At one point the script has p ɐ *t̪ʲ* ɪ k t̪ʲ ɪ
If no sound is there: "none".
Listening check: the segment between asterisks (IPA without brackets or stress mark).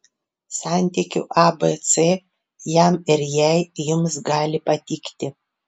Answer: t̪ʲ